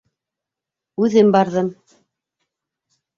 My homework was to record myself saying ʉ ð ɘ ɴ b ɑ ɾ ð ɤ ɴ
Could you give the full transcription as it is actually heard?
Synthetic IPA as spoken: ʉ ð ɘ m b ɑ ɾ ð ɤ m